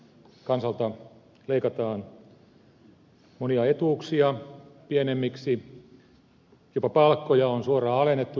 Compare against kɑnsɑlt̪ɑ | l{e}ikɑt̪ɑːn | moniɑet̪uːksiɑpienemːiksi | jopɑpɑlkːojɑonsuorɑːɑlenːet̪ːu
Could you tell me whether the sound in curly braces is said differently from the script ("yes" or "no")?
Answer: no